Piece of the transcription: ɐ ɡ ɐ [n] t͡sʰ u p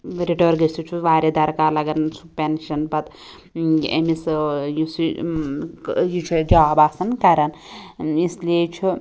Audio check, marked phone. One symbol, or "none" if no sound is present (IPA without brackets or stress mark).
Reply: n